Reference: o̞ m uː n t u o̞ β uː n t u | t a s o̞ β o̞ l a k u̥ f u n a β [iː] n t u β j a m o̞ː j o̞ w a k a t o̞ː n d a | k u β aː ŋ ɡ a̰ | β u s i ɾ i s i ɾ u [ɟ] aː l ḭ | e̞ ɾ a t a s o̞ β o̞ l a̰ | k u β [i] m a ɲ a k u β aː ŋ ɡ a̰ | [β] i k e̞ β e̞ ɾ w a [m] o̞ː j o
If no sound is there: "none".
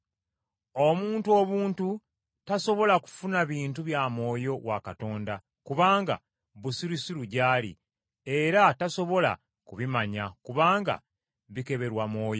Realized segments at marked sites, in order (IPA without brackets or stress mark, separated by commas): iː, ɟ, i, β, m